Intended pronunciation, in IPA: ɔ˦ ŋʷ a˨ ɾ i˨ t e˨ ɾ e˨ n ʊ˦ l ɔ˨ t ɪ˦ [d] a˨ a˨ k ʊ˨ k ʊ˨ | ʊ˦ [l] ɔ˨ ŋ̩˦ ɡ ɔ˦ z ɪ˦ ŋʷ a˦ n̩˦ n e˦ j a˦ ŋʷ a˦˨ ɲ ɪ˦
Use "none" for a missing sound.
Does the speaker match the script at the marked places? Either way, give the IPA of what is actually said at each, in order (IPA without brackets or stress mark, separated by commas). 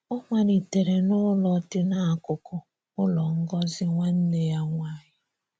n, l